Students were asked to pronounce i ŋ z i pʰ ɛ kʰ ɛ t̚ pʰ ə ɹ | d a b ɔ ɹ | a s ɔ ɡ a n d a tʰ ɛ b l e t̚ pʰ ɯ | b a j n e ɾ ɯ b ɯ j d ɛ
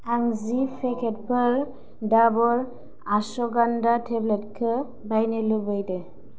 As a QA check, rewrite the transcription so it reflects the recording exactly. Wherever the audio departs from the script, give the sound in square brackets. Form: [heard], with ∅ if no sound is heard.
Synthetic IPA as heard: [a] ŋ z i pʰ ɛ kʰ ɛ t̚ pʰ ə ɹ | d a b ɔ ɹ | a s ɔ ɡ a n d a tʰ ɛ b l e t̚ [kʰ] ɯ | b a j n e [l] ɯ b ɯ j d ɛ